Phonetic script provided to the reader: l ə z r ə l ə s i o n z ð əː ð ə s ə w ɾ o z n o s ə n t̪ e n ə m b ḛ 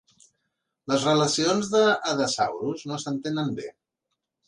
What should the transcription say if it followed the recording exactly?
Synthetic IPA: l ə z r ə l ə s i o n z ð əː ð ə s a w ɾ u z n o s ə n t̪ e n ə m b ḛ